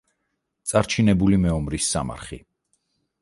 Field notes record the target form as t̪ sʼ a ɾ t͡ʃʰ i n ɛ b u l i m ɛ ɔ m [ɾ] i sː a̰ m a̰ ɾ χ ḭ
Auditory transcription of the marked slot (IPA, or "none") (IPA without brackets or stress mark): ɾ